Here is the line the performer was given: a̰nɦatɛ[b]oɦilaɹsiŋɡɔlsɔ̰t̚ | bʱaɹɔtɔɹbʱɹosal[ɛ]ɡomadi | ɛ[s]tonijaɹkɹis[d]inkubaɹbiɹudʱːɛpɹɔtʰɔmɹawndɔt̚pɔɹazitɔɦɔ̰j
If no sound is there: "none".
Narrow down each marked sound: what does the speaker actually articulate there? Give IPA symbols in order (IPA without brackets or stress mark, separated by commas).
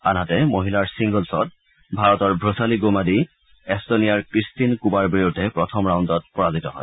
m, i, s, t